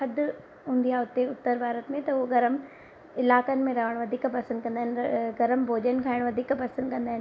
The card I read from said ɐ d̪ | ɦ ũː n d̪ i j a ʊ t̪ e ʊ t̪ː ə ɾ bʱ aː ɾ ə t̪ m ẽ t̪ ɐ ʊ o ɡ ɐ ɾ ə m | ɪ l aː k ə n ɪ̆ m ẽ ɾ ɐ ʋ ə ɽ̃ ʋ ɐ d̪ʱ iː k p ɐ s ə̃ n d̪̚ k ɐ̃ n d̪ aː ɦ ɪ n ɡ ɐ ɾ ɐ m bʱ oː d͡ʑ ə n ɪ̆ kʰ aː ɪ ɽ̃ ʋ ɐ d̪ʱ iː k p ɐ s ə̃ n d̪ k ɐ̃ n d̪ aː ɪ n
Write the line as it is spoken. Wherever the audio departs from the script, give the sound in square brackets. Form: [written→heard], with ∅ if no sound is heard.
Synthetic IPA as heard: ɐ d̪ | ɦ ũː n d̪ i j a ʊ t̪ e ʊ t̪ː ə ɾ bʱ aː ɾ ə t̪ m ẽ t̪ ɐ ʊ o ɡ ɐ ɾ ə m | ɪ l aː k ə n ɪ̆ m ẽ ɾ ɐ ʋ ə ɽ̃ ʋ ɐ d̪ʱ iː k p ɐ s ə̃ n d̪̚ k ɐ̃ n d̪ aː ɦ ɪ n ɡ ɐ ɾ [ɐ→ə] m bʱ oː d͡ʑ ə n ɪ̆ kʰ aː ɪ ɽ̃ ʋ ɐ d̪ʱ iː k p ɐ s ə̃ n d̪ k ɐ̃ n d̪ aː ɪ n